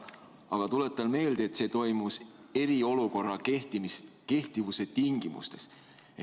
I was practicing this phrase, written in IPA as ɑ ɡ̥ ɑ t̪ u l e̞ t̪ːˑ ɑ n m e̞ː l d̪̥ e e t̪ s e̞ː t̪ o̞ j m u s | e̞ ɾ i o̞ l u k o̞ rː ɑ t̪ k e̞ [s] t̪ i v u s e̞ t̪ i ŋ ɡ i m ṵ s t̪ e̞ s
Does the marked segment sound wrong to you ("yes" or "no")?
yes